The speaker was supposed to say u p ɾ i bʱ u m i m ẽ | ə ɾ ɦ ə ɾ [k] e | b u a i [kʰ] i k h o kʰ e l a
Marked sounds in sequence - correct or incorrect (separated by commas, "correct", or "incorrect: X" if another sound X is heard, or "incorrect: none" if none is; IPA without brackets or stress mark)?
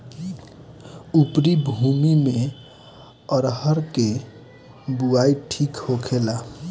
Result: correct, incorrect: ʈʰ